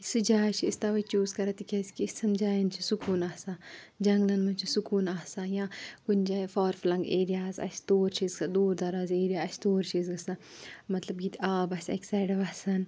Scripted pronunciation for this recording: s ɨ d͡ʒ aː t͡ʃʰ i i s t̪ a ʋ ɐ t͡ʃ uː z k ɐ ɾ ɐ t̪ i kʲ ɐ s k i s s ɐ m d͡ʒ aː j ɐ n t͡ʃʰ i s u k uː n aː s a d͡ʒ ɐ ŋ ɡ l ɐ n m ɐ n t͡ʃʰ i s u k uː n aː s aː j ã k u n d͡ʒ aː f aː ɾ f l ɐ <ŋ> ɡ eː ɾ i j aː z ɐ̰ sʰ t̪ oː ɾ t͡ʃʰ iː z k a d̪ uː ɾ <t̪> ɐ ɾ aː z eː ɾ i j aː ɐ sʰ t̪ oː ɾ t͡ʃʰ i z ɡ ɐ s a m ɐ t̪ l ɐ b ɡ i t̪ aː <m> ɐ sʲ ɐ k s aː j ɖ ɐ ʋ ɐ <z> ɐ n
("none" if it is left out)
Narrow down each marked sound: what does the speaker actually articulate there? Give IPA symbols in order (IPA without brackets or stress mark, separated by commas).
ŋ, d̪, b, s